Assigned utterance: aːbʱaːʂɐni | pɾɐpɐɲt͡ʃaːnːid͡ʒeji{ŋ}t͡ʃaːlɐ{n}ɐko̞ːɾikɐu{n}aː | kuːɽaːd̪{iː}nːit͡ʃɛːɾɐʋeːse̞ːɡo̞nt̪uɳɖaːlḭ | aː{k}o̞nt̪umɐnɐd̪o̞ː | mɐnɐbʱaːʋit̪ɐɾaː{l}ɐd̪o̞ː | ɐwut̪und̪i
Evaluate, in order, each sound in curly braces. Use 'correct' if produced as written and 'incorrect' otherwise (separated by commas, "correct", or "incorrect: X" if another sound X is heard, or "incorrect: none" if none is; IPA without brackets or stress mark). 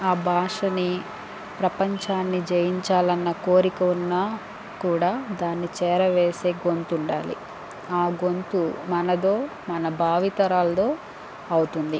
incorrect: ɲ, incorrect: nː, incorrect: nː, incorrect: aː, incorrect: ɡ, correct